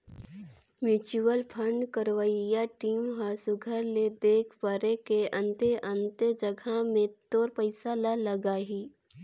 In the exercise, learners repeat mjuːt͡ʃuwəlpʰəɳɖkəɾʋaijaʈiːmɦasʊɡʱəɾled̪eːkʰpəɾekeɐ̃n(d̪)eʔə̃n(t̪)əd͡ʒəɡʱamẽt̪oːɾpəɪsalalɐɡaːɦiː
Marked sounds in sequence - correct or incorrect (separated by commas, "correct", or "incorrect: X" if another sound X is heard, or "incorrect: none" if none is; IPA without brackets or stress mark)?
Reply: incorrect: t̪, correct